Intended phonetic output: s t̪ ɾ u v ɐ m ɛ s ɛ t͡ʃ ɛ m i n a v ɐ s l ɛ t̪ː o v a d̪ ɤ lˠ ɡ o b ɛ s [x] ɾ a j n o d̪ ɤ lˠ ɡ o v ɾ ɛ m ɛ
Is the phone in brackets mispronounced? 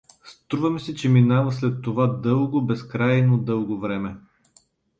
yes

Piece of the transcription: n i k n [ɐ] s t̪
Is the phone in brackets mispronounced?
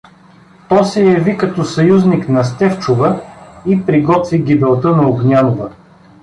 no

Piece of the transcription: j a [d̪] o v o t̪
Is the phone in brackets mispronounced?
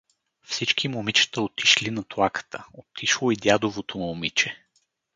no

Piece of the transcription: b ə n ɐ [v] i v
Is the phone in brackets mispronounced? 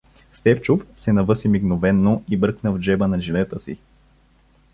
yes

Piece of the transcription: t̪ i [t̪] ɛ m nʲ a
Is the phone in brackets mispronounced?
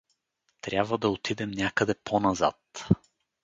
yes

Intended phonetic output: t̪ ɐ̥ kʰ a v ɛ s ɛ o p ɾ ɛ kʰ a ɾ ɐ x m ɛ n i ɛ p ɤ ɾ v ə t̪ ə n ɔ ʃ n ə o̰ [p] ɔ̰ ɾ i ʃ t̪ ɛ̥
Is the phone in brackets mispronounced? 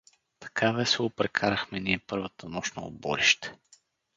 yes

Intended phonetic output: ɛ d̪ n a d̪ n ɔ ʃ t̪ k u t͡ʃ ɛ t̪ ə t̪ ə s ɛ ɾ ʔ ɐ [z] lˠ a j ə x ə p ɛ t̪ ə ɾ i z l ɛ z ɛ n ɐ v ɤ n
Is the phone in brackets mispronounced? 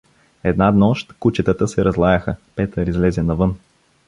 no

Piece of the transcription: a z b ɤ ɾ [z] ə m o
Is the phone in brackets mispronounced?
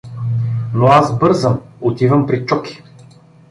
no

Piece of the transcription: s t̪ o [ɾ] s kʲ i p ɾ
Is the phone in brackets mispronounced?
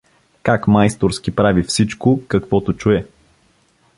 no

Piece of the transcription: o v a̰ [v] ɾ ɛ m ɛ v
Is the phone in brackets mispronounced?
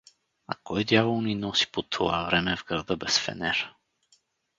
no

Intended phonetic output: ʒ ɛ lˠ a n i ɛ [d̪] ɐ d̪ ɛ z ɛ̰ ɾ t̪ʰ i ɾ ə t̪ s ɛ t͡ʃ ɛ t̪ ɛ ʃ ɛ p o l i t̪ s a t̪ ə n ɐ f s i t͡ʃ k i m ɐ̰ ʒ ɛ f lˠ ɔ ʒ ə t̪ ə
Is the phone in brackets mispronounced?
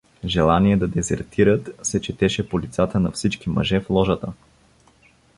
no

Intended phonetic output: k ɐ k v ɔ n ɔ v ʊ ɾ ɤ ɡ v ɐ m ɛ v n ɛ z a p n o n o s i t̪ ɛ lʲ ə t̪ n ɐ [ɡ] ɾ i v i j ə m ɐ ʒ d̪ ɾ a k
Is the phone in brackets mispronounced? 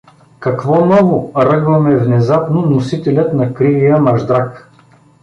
yes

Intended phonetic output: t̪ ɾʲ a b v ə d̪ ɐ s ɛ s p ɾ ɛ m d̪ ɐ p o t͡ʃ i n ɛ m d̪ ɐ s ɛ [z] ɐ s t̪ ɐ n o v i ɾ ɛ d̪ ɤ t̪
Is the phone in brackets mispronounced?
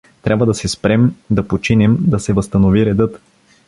yes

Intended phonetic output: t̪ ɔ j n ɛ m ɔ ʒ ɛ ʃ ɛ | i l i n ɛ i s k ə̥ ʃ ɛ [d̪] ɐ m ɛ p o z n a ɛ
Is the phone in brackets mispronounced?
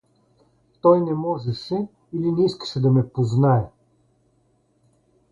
no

